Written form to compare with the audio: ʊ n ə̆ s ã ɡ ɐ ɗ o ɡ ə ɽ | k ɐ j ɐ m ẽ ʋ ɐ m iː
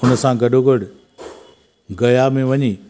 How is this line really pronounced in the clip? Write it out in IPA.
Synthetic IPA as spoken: ʊ n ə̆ s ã ɡ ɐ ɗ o ɡ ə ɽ | ɡ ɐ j a m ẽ ʋ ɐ ɲ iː